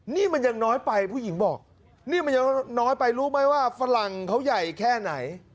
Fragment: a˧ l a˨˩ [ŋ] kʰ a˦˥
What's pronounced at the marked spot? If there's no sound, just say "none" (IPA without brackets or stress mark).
ŋ